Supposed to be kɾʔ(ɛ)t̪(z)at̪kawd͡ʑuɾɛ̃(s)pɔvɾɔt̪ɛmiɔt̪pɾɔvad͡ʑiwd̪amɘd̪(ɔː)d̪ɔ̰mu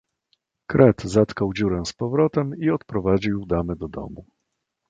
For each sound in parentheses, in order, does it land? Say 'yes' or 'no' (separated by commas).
yes, yes, yes, no